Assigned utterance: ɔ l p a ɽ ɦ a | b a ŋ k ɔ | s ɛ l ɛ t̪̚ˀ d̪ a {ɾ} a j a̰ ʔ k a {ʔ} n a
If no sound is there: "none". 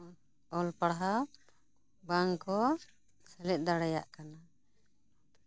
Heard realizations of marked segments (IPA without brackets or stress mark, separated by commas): ɽ, none